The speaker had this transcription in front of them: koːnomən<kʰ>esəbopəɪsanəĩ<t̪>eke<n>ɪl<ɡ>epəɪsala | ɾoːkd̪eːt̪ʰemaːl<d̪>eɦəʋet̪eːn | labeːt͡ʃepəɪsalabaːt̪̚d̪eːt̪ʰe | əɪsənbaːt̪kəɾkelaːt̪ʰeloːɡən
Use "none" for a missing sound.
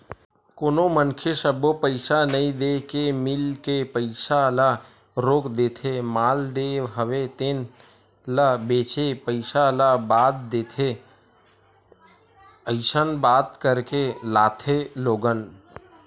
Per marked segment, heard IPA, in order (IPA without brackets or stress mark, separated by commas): kʰ, d̪, m, k, d̪